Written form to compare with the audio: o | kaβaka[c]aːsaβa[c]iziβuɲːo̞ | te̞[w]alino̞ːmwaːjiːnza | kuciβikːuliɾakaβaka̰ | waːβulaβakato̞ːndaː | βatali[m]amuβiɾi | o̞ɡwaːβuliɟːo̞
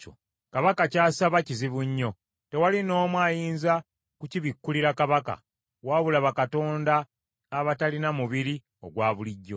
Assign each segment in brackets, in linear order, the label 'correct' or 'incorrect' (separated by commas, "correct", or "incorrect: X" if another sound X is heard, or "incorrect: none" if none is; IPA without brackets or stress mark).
correct, correct, correct, incorrect: n